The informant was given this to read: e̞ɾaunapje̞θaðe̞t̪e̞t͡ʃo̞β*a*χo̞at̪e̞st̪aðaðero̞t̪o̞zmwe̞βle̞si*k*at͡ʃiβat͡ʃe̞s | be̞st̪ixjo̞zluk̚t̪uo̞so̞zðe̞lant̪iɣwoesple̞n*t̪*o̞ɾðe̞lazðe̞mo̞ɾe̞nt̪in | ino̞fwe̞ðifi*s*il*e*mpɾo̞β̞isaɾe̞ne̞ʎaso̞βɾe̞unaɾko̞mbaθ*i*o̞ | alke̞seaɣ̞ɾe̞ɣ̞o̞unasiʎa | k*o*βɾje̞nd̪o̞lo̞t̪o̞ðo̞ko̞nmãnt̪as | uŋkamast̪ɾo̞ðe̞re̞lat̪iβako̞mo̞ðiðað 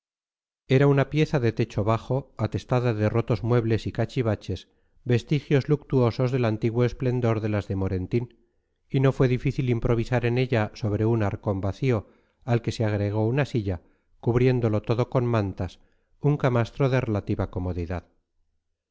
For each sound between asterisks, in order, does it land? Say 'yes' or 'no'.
yes, yes, no, no, no, yes, no

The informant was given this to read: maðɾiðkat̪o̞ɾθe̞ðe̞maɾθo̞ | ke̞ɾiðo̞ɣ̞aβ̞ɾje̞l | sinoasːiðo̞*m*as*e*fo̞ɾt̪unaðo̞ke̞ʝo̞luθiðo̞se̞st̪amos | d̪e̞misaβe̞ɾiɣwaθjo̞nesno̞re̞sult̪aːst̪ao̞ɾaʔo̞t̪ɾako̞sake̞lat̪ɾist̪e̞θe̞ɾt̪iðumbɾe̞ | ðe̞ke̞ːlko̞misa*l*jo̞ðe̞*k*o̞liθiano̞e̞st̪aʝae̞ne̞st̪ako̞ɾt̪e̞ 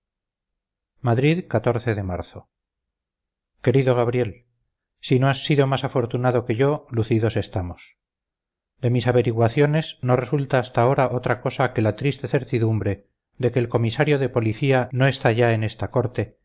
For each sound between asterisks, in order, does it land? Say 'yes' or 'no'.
yes, no, no, no

